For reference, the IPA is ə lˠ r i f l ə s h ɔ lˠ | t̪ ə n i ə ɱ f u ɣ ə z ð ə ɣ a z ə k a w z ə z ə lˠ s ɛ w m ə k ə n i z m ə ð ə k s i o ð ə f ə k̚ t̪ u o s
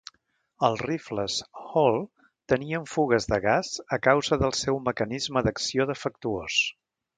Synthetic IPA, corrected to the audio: ə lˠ r i f l ə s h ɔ lˠ | t̪ ə n i ə ɱ f u ɣ ə z ð ə ɣ a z ə k a w z ə ð ə lˠ s ɛ w m ə k ə n i z m ə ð ə k s i o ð ə f ə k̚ t̪ u o s